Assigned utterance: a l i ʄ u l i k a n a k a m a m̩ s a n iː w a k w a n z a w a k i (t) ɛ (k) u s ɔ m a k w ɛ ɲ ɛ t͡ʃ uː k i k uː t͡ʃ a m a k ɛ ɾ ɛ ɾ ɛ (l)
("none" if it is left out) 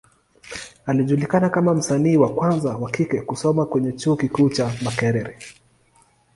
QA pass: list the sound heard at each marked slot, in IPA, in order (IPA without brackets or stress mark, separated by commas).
k, k, none